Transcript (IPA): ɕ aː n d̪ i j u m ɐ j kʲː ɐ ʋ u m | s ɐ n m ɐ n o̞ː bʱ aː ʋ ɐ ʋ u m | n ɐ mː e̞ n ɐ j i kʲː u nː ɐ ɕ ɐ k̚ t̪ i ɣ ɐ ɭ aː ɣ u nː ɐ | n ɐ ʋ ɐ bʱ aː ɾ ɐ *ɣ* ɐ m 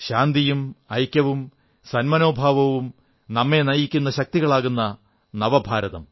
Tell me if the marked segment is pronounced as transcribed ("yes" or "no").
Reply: no